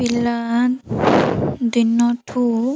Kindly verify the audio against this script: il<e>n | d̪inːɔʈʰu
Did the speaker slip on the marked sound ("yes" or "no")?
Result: yes